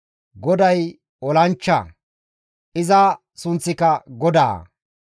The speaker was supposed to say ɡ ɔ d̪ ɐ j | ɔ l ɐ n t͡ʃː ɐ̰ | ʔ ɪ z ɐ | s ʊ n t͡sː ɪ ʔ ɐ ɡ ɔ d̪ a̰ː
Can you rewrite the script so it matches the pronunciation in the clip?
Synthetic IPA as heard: ɡ ɔ d̪ ɐ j | ɔ l ɐ n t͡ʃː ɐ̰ | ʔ ɪ z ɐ | s ʊ n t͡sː ɪ k ɐ ɡ ɔ d̪ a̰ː